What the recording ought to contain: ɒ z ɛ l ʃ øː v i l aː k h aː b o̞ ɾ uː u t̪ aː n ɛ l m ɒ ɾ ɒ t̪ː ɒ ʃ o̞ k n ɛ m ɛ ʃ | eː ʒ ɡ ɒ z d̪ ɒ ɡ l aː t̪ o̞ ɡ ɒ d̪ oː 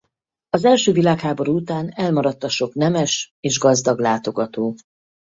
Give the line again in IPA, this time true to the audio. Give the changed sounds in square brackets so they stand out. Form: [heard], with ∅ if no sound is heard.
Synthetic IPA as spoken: ɒ z ɛ l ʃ øː v i l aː k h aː b o̞ ɾ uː u t̪ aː n ɛ l m ɒ ɾ ɒ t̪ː ɒ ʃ o̞ k n ɛ m ɛ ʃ | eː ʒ ɡ ɒ z d̪ ɒ ɡ l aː t̪ o̞ ɡ ɒ [t̪] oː